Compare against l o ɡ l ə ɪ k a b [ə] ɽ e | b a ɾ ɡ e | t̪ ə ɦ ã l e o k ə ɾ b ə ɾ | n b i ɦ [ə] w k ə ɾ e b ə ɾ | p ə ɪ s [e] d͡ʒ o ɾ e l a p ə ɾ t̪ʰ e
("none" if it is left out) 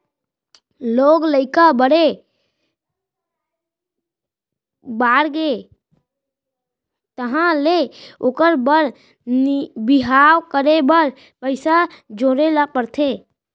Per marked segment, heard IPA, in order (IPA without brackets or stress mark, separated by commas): ə, a, a